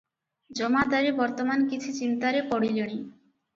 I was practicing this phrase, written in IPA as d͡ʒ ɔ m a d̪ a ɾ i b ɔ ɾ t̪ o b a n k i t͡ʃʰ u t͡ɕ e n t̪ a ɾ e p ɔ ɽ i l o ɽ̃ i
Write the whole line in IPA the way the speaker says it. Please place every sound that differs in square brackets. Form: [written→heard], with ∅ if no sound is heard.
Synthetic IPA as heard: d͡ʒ ɔ m a d̪ a ɾ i b ɔ ɾ t̪ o [b→m] a n k i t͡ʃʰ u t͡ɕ [e→i] n t̪ a ɾ e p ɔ ɽ i l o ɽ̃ i